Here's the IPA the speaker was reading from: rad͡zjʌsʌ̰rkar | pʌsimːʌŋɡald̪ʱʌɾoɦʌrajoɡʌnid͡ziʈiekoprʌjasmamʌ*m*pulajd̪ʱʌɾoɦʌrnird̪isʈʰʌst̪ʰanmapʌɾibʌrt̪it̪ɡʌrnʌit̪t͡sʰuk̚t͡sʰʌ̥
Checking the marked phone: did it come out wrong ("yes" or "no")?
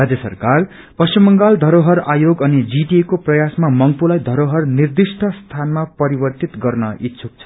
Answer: yes